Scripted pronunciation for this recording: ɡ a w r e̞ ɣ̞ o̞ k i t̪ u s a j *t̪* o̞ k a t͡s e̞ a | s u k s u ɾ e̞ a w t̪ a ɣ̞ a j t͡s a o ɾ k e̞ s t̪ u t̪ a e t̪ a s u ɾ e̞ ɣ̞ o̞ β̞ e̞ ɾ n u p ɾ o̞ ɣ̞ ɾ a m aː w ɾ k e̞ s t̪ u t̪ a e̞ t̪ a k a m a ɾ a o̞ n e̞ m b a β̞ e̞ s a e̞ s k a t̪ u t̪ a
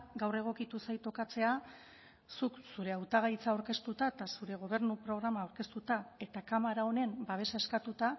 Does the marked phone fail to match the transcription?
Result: no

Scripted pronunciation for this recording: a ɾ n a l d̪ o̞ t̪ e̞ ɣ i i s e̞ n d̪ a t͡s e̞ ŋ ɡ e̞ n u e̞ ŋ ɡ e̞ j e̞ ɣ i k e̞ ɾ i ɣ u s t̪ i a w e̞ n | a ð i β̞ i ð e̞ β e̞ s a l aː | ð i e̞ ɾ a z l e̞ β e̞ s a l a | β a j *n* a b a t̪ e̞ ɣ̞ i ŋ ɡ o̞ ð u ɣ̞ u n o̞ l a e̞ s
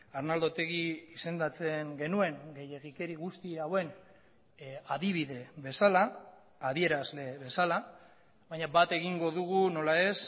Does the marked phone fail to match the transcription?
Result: yes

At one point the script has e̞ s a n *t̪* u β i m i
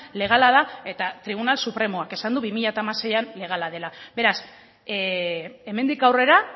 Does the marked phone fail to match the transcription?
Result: yes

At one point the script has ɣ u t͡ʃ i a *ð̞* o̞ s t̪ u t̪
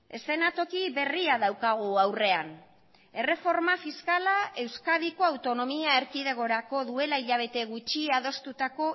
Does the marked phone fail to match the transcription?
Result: no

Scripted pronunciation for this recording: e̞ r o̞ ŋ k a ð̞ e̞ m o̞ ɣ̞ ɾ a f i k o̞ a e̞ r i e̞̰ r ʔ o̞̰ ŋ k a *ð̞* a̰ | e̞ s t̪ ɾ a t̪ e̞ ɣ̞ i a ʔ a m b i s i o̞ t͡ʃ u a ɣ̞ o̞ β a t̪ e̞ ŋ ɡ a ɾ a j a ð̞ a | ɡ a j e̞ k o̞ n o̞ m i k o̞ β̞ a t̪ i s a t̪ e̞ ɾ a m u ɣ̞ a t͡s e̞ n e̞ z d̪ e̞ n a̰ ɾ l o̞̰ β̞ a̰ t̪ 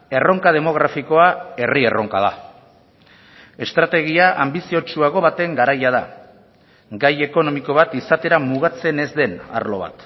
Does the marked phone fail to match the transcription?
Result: no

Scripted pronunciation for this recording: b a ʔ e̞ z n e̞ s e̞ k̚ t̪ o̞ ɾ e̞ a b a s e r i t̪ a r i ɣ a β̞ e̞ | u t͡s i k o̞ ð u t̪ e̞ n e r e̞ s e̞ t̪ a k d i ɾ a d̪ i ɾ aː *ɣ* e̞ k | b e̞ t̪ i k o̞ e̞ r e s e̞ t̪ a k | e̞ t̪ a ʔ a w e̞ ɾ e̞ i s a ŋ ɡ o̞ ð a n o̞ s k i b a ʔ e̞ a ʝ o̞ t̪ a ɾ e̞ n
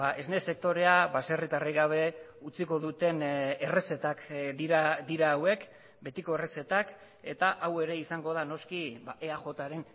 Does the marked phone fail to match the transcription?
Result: yes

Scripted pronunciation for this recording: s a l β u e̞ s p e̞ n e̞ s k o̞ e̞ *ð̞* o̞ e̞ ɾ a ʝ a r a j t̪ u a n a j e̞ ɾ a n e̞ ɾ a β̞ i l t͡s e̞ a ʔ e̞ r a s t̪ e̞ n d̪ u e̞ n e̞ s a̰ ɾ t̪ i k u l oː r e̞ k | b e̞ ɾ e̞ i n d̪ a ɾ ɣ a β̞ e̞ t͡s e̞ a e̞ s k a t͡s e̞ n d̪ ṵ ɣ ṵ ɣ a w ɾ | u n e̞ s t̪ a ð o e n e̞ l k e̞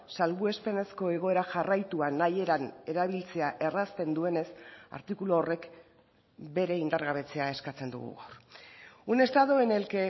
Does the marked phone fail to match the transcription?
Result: yes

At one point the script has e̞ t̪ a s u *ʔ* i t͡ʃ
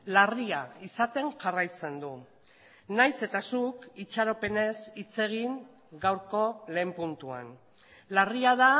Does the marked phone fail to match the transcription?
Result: yes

